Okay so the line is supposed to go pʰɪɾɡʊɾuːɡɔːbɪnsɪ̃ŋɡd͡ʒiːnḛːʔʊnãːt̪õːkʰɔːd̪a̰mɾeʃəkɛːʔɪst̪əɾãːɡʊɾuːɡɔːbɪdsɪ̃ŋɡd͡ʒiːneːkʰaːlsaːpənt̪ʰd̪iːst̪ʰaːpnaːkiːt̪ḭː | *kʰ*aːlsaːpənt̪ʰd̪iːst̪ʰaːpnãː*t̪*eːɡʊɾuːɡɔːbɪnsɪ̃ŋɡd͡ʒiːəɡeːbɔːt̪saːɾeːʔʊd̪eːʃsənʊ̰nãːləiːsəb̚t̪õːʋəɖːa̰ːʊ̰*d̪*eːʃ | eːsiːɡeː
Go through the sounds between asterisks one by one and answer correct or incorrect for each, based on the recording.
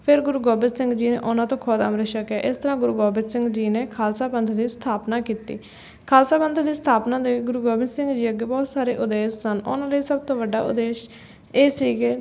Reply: correct, incorrect, correct

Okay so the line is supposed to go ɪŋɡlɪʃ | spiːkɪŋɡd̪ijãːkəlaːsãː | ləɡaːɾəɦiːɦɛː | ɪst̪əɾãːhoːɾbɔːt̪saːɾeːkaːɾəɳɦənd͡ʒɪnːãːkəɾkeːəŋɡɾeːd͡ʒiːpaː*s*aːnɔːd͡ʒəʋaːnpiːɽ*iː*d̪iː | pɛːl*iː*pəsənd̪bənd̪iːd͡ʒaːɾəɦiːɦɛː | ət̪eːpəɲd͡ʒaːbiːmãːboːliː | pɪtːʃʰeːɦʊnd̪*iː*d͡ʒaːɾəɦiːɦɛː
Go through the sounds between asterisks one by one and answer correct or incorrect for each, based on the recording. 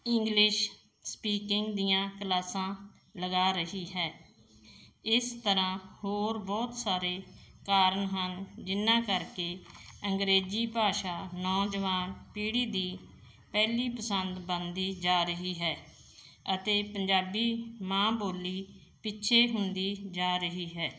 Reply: incorrect, correct, correct, correct

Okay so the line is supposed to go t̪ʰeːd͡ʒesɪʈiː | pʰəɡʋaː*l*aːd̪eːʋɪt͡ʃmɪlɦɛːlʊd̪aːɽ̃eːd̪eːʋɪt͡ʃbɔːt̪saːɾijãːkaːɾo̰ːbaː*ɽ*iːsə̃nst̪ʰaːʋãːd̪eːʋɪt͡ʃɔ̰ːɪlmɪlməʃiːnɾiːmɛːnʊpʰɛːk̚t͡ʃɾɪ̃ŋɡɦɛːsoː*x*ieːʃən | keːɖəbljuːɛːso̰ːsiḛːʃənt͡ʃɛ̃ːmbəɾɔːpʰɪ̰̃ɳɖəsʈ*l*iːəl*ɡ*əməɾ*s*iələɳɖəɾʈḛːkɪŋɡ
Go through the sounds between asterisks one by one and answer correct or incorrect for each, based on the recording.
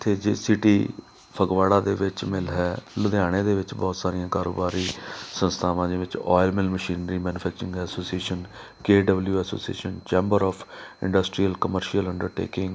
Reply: incorrect, incorrect, incorrect, incorrect, incorrect, incorrect

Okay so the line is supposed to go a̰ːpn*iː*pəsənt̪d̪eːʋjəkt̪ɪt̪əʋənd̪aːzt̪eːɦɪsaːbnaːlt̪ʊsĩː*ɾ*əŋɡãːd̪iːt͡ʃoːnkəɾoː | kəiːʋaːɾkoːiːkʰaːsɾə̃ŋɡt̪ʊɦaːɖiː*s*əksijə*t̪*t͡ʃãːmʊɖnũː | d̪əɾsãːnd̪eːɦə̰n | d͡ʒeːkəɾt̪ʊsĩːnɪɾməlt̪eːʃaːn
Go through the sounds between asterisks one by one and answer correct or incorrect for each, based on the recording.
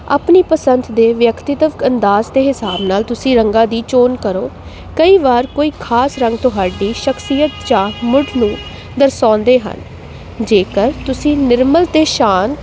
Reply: correct, correct, incorrect, correct

